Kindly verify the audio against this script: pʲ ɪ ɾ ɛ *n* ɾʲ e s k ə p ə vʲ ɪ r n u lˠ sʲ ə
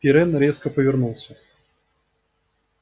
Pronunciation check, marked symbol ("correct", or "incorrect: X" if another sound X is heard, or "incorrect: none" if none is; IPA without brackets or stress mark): correct